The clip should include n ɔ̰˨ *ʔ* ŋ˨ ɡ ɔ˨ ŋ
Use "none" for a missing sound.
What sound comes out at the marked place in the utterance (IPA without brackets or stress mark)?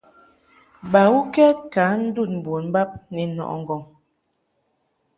ʔ